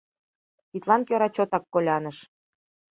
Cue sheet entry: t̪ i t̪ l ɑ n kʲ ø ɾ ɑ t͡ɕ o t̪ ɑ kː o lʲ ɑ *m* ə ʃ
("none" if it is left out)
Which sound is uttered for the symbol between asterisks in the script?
n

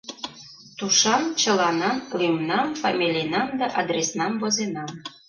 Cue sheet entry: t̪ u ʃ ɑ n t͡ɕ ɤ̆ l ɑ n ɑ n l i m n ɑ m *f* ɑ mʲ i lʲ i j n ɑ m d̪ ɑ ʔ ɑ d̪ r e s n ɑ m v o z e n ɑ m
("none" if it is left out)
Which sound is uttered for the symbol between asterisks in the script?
f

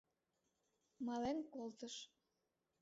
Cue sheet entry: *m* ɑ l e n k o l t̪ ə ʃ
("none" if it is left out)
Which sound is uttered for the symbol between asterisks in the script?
m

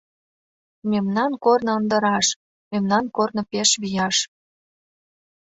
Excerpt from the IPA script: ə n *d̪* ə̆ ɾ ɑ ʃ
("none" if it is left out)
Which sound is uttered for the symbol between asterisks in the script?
d̪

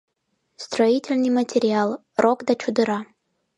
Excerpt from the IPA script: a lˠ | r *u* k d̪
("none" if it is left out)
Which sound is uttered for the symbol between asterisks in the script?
o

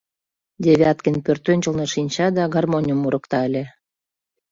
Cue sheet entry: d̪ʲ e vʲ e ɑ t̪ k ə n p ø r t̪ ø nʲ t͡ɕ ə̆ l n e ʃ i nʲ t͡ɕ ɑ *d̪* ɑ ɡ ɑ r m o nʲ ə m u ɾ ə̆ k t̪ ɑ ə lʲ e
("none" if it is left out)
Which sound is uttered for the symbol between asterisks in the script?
d̪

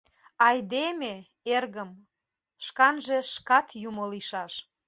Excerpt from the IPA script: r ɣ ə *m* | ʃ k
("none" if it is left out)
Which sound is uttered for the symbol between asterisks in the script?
m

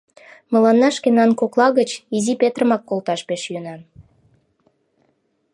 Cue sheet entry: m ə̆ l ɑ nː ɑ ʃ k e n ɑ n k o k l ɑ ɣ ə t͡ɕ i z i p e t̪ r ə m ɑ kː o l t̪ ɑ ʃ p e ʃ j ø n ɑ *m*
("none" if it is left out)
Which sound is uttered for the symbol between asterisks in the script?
n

